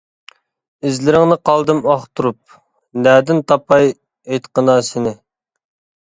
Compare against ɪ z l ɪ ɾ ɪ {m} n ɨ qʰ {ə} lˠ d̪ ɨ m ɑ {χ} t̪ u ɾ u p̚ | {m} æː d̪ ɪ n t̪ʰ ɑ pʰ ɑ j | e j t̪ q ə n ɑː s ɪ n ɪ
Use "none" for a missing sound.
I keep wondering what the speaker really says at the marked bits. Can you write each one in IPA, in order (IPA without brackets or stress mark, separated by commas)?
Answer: ŋ, ɑ, χ, n